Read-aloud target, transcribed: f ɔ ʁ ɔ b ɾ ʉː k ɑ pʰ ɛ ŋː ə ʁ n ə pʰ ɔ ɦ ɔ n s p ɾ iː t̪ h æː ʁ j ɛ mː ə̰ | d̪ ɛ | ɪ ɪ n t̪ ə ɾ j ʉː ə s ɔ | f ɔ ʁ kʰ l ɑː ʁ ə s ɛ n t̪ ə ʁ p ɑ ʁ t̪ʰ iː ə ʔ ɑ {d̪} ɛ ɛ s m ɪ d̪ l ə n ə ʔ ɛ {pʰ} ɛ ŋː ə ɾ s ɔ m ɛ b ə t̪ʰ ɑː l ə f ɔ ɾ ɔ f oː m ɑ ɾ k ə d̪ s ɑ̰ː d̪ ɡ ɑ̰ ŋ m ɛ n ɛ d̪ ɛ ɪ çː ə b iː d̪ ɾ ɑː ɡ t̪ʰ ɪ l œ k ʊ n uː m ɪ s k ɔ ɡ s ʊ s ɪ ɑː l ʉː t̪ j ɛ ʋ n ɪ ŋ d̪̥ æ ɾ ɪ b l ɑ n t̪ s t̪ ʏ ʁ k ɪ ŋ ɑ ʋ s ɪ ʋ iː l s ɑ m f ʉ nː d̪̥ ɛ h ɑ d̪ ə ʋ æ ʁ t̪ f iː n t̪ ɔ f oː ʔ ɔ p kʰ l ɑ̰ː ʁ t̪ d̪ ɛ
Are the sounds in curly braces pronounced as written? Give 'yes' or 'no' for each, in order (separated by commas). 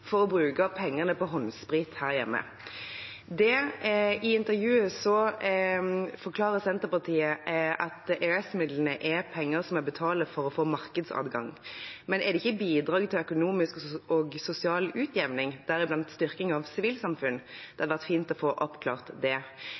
no, yes